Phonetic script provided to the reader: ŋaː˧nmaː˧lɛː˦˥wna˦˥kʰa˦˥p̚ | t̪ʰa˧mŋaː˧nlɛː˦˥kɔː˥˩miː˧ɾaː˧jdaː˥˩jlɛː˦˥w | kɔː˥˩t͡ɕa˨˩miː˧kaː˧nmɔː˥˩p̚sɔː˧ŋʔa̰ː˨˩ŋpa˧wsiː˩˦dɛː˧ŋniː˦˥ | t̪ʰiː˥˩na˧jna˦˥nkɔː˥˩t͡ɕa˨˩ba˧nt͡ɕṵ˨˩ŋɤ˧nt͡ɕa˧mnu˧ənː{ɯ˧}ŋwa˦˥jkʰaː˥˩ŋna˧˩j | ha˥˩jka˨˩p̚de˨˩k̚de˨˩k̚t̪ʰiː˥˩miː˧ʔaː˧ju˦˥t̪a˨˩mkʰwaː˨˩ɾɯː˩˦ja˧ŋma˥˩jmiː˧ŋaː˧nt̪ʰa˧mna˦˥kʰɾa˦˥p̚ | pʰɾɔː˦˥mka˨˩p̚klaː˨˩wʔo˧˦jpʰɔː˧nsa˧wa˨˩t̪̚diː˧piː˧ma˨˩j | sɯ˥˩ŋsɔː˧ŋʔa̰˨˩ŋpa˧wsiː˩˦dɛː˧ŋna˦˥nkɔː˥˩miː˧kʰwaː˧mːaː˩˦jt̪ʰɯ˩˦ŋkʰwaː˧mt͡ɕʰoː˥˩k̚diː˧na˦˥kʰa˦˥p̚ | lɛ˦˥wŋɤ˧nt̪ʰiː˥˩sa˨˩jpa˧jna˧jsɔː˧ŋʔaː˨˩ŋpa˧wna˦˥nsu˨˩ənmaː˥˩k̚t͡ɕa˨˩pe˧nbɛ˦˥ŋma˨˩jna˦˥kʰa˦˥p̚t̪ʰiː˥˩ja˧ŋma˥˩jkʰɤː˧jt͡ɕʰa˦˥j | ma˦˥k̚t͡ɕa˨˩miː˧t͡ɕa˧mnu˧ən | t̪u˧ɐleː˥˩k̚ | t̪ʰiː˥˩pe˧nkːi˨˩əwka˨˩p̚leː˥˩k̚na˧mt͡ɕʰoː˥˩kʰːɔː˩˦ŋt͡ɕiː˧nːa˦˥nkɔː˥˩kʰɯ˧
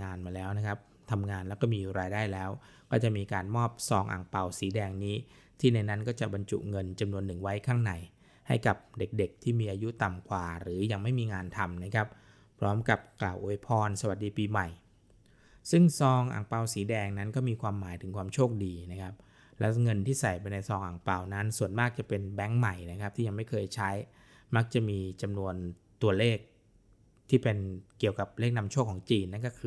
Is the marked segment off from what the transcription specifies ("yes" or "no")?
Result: yes